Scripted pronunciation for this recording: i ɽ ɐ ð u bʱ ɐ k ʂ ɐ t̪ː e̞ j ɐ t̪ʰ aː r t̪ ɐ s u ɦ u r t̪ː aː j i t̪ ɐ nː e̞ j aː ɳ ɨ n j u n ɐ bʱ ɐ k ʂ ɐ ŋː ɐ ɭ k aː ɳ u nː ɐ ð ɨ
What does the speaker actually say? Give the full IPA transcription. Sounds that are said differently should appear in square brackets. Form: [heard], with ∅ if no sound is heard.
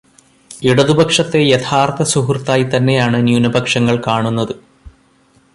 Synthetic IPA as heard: i ɽ ɐ ð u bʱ ɐ k ʂ ɐ t̪ː e̞ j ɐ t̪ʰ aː r t̪ ɐ s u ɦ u r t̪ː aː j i t̪ ɐ nː e̞ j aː ɳ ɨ n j u n ɐ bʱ ɐ k ʂ ɐ ŋː ɐ ɭ k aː ɳ u nː ɐ ð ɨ